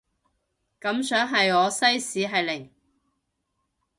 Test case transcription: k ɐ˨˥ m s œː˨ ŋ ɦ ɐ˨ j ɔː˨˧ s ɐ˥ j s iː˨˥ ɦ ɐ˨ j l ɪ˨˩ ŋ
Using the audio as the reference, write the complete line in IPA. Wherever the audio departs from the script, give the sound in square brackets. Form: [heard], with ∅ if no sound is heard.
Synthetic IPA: k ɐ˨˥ m s [œː˨˥] ŋ ɦ ɐ˨ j ɔː˨˧ s ɐ˥ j s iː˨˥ ɦ ɐ˨ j l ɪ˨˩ ŋ